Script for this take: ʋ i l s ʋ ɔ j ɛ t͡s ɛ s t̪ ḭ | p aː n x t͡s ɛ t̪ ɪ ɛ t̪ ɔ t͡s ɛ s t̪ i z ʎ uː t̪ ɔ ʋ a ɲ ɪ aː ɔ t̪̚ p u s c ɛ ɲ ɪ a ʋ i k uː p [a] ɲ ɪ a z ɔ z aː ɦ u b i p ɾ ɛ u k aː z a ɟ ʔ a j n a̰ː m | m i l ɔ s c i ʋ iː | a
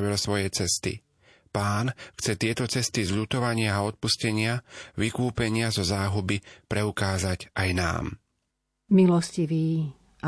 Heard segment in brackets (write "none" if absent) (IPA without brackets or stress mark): ɛ